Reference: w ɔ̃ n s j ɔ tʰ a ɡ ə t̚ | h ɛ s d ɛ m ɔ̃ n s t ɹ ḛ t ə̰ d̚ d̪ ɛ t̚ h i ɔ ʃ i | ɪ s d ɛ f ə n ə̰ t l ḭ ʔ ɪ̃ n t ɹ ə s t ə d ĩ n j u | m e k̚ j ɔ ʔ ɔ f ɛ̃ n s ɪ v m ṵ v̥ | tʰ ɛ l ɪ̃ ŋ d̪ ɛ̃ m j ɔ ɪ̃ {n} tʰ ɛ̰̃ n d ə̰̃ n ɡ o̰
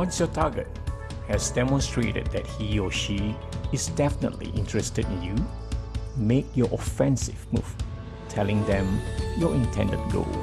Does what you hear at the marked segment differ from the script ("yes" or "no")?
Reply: no